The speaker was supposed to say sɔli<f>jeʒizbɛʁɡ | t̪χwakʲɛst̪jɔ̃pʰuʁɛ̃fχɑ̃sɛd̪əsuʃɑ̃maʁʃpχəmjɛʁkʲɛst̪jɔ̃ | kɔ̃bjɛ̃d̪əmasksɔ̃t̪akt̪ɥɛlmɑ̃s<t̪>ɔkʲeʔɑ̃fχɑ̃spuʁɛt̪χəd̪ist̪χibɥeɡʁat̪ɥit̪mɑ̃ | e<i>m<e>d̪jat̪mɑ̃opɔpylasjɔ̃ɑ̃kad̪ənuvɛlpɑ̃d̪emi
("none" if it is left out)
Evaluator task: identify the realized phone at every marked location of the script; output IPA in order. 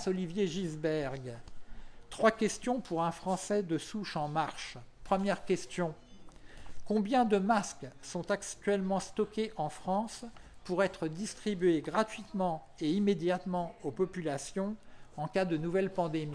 v, t̪, i, e

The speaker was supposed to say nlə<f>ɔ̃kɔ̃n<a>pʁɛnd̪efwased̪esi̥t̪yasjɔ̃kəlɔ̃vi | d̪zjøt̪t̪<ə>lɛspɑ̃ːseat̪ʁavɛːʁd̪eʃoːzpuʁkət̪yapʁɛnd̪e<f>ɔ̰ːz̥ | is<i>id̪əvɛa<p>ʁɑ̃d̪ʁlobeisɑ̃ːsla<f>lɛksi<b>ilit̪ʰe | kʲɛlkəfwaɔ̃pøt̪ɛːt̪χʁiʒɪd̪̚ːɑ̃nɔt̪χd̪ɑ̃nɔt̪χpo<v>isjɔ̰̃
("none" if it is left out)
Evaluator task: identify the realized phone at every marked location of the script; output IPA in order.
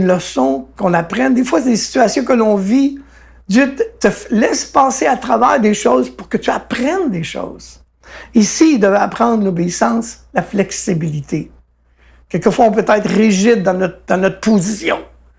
s, a, ə, ʃ, i, p, f, b, z

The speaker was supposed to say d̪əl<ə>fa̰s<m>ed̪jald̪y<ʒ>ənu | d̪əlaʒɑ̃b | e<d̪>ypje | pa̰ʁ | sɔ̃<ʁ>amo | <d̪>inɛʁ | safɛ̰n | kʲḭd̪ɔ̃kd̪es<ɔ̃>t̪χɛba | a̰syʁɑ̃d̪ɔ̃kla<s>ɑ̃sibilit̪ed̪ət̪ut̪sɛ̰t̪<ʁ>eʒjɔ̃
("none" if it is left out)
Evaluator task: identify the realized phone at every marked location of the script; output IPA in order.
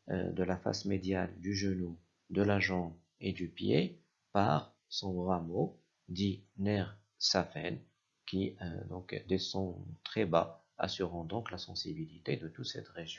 a, m, ʒ, d̪, ʁ, d̪, ɔ̃, s, ʁ

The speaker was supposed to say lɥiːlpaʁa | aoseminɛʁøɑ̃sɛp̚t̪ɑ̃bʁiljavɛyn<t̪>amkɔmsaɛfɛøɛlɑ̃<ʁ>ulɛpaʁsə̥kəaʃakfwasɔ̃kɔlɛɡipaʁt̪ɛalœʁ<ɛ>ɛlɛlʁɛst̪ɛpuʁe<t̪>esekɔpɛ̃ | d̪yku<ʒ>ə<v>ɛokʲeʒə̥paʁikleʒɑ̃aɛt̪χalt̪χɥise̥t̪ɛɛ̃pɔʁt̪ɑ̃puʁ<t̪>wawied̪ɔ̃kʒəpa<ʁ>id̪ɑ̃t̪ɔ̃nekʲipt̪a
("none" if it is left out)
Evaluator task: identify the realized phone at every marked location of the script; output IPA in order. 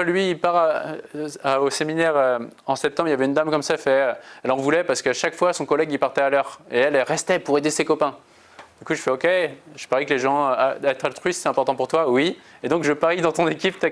d̪, v, e, d̪, ʒ, f, t̪, ʁ

